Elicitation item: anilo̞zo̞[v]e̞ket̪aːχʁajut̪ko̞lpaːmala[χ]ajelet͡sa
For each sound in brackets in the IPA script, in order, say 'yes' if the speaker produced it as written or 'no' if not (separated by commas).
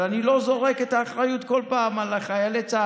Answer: no, yes